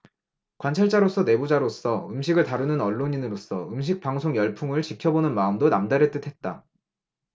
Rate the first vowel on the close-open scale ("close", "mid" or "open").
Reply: open